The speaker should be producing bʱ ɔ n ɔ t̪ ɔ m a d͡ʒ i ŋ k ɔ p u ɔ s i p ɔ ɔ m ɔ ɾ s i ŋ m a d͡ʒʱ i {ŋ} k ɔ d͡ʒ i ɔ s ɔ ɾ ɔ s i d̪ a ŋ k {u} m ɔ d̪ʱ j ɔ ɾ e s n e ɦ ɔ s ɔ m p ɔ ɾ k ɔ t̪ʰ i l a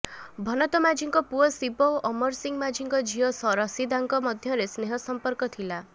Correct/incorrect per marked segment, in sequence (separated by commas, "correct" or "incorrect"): correct, incorrect